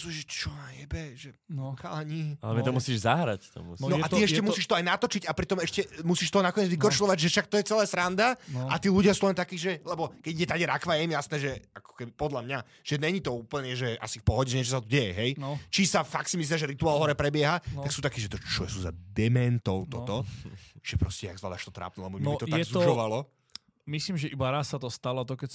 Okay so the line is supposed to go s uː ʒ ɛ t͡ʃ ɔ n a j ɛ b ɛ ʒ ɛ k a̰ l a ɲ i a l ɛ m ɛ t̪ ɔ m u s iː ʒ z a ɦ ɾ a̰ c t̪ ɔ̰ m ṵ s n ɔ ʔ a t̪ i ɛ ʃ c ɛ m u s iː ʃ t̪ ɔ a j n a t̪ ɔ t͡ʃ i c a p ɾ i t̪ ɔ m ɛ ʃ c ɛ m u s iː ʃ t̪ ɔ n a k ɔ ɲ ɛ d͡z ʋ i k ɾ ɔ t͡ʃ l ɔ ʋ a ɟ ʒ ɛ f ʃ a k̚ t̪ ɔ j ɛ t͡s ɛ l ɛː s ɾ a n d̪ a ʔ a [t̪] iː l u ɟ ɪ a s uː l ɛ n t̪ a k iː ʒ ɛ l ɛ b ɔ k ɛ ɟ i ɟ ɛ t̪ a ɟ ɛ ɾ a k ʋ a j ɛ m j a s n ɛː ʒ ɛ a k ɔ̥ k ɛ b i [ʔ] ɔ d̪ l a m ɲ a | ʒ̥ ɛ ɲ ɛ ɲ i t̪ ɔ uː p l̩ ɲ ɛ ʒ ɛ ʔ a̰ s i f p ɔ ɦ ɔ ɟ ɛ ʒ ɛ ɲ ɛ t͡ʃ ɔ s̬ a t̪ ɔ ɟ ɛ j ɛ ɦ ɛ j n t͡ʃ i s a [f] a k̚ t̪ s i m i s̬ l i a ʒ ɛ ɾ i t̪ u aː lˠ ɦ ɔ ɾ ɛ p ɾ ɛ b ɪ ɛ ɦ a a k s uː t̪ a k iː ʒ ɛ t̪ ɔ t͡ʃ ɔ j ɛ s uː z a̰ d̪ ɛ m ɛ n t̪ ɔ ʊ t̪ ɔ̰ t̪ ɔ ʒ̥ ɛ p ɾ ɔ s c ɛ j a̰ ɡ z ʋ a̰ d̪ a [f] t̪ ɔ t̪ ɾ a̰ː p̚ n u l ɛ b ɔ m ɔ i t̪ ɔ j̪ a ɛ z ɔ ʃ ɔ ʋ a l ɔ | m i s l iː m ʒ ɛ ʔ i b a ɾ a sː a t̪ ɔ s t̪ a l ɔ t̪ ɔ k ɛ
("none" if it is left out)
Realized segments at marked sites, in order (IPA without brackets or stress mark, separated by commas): t̪, p, f, ʃ